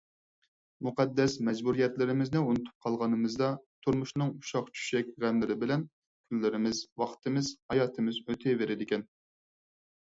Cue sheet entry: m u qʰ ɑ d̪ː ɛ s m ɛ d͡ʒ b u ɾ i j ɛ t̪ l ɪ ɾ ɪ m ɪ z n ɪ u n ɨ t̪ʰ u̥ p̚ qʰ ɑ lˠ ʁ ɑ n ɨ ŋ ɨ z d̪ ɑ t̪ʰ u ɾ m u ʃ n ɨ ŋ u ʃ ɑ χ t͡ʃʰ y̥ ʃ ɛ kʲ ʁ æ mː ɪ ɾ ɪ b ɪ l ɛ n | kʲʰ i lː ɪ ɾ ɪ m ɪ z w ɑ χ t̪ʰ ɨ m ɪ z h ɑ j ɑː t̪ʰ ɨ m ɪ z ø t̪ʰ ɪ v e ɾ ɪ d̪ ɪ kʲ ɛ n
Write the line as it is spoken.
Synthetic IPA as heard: m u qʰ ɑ d̪ː ɛ s m ɛ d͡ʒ b u ɾ i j ɛ t̪ l ɪ ɾ ɪ m ɪ z n ɪ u n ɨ t̪ʰ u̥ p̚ qʰ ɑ lˠ ʁ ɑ n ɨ m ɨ z d̪ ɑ t̪ʰ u ɾ m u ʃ n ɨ ŋ u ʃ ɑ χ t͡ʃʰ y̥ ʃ ɛ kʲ ʁ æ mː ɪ ɾ ɪ b ɪ l ɛ n | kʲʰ y lː ɪ ɾ ɪ m ɪ z w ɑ χ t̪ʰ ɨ m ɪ z h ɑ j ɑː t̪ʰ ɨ m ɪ z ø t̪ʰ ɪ v e ɾ ɪ d̪ ɪ kʲ ɛ n